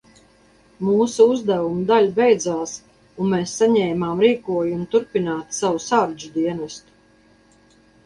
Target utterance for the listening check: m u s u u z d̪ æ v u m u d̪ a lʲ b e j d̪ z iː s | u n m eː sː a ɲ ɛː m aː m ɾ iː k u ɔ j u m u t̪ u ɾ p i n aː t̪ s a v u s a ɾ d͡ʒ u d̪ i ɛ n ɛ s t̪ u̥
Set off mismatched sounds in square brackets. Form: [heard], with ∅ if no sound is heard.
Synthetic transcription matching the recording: m [uː] s u u z d̪ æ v u m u d̪ a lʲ b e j d̪ z [aː] s | u n m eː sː a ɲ ɛː m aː m ɾ iː k u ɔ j u m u t̪ u ɾ p i n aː t̪ s a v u s a ɾ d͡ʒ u d̪ i ɛ n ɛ s t̪ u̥